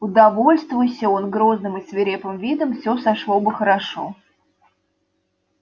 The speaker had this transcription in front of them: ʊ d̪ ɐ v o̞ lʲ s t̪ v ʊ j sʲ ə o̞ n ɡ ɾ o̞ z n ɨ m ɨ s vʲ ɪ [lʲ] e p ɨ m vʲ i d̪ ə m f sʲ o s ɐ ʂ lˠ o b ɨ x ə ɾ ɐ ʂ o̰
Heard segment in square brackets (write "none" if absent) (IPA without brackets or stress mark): ɾʲ